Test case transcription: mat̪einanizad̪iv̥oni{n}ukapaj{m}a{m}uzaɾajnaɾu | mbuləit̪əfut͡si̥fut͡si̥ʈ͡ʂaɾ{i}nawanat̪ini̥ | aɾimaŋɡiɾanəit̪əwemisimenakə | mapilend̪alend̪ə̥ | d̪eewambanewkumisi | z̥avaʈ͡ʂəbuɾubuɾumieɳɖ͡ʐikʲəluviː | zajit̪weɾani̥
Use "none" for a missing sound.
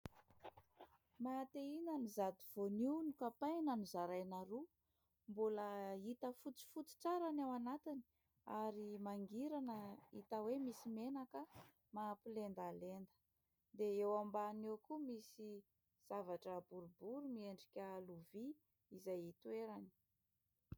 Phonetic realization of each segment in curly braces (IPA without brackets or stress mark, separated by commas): n, n, n, a